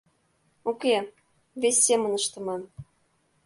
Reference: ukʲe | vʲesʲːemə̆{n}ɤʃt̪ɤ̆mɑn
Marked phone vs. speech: correct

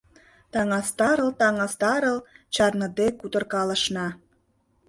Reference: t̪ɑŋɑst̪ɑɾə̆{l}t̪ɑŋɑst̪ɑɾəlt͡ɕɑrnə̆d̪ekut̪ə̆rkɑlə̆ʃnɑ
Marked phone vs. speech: correct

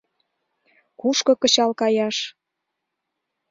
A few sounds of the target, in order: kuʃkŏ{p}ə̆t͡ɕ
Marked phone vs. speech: incorrect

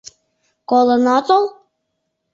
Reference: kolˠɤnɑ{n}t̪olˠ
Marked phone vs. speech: incorrect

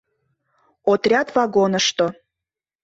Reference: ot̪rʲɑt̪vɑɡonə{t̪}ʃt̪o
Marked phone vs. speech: incorrect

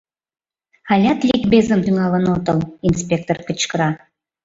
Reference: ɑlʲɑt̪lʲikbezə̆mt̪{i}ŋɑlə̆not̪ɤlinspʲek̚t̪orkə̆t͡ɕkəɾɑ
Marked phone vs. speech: incorrect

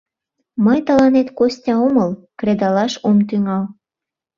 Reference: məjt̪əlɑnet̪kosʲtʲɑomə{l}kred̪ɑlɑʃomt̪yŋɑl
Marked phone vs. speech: correct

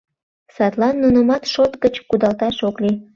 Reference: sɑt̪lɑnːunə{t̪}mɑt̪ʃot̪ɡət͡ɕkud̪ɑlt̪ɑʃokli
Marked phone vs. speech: incorrect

